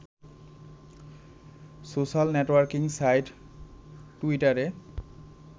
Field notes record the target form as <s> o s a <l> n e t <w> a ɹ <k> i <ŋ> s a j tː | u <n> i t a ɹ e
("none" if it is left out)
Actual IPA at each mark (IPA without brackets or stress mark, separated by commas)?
s, l, w, k, ŋ, none